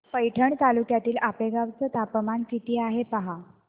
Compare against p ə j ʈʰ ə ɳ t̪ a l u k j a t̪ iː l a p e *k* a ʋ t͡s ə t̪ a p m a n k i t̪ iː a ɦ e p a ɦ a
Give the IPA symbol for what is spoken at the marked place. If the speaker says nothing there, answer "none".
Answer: ɡ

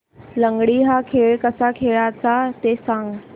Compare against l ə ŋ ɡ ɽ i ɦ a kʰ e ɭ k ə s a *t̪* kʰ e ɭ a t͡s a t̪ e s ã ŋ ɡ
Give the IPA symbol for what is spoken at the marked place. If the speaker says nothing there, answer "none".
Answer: none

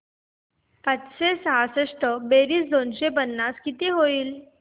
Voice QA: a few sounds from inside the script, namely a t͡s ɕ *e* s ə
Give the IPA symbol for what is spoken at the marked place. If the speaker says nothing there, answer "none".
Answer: e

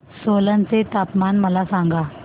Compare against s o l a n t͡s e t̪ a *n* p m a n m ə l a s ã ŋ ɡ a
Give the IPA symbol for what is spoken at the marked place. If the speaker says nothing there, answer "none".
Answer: none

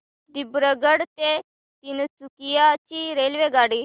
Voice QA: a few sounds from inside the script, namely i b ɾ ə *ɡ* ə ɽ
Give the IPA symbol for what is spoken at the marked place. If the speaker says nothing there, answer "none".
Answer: ɡ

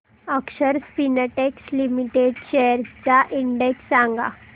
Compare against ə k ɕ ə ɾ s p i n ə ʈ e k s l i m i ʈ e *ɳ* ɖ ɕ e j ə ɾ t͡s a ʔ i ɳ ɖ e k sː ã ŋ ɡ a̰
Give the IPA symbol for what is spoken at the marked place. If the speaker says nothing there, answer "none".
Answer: none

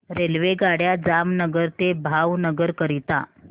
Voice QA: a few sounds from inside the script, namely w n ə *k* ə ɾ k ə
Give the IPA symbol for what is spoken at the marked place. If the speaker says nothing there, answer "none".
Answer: ɡ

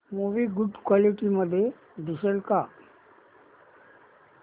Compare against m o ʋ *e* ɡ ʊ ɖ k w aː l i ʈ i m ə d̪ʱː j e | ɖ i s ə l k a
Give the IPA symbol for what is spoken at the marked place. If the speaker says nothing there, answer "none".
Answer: i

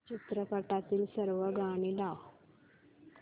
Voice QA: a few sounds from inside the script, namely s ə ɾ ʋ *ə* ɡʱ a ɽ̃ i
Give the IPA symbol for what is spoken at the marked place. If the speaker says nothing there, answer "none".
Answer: ə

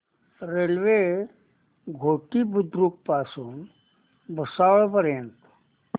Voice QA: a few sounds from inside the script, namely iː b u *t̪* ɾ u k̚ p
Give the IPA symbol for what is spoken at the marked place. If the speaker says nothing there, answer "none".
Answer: d̪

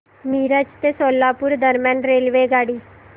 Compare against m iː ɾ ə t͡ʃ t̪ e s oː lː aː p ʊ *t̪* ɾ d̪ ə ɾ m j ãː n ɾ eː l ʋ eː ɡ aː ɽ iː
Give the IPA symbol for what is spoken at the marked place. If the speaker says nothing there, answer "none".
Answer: none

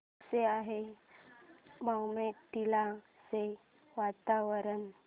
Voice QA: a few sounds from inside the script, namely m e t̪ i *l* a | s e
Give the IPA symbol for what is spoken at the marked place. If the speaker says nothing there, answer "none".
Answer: l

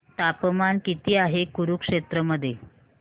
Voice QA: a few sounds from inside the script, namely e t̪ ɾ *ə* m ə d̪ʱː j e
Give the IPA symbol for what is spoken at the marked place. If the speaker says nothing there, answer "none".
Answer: ə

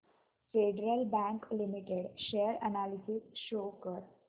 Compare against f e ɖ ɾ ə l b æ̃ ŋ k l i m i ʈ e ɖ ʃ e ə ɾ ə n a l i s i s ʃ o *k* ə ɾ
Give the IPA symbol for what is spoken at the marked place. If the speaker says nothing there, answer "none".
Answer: k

